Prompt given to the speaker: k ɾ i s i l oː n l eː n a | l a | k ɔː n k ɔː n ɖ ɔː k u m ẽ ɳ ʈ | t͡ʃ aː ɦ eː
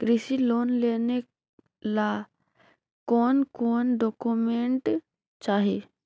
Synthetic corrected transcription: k ɾ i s i l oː n l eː n e | l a | k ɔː n k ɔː n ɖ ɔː k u m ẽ ɳ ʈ | t͡ʃ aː ɦ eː